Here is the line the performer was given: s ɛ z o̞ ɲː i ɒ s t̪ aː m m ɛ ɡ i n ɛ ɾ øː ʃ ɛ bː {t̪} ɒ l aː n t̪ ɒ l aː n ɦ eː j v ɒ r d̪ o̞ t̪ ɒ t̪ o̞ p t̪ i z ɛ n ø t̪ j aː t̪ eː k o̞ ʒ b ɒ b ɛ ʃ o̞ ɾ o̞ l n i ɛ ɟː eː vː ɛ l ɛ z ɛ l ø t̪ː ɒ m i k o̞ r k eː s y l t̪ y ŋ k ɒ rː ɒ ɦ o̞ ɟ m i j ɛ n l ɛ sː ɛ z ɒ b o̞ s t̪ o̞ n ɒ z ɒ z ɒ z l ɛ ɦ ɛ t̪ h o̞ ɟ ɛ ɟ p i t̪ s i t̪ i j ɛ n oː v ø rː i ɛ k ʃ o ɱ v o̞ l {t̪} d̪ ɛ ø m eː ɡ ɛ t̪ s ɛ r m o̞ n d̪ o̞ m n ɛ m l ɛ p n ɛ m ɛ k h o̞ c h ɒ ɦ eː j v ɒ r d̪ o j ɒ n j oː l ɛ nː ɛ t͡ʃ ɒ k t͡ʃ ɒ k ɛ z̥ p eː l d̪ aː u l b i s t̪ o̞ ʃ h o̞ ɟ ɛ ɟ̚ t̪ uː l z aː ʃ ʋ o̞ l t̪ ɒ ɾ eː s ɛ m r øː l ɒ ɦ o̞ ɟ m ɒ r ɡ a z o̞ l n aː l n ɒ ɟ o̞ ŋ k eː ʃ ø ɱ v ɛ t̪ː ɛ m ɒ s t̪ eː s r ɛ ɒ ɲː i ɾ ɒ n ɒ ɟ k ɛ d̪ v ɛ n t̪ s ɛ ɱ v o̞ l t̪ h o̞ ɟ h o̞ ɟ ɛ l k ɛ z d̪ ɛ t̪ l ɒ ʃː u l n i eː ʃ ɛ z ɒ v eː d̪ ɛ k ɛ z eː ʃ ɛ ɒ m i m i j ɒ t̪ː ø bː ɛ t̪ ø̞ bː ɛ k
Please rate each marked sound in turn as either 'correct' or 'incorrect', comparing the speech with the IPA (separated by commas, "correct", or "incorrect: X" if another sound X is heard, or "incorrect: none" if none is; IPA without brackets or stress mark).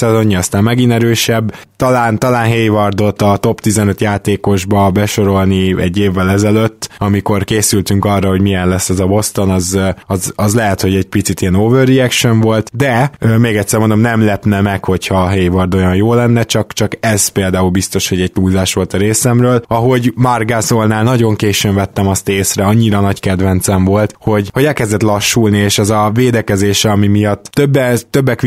correct, correct